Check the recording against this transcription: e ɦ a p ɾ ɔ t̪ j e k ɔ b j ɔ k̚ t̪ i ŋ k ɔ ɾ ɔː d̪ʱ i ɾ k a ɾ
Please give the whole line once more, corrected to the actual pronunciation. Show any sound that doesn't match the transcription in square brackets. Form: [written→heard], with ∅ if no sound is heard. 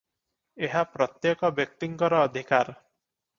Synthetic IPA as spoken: e ɦ a p ɾ ɔ t̪ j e k ɔ b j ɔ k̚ t̪ i ŋ k ɔ ɾ ɔː d̪ʱ i [ɾ→∅] k a ɾ